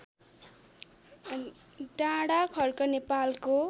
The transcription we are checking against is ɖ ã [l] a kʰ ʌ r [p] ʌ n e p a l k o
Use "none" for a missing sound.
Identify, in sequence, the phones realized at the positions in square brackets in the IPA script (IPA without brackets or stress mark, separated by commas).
ɽ, k